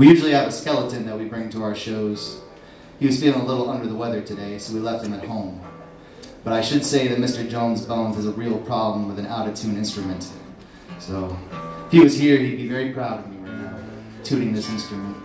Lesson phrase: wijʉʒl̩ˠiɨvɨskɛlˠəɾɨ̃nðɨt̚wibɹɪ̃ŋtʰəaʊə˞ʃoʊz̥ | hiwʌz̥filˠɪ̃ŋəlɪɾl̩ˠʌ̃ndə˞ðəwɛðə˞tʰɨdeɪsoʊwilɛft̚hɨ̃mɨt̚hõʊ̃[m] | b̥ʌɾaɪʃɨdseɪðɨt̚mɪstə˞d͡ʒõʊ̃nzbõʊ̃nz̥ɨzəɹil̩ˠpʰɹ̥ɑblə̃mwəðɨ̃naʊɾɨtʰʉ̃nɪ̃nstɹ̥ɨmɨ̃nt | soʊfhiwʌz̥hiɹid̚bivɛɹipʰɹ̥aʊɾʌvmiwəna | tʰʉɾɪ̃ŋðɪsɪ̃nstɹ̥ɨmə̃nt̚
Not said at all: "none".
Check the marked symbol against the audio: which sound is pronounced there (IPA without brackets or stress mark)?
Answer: m